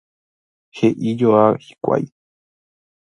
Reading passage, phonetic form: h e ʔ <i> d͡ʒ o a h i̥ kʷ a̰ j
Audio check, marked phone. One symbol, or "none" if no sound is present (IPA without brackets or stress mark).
i